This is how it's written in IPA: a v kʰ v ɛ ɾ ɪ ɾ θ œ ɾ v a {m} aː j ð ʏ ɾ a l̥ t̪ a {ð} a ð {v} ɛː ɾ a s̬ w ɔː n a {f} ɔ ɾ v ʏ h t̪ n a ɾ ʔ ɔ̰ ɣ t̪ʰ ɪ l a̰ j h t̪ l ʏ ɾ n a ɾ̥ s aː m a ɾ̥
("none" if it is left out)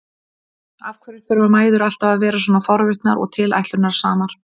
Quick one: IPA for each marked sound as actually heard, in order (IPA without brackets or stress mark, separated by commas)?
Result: m, v, v, f